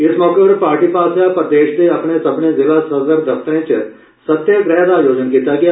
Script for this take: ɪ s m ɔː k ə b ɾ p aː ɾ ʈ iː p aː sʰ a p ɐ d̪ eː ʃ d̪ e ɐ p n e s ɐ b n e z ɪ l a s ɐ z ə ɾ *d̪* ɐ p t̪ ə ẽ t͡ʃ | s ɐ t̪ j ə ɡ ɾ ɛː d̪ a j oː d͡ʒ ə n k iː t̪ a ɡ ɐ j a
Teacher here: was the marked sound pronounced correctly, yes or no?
yes